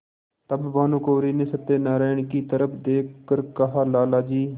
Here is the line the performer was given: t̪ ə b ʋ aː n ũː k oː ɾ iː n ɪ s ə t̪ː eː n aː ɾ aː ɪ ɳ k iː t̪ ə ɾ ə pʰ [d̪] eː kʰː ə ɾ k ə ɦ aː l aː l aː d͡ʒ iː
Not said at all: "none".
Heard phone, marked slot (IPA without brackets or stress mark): d̪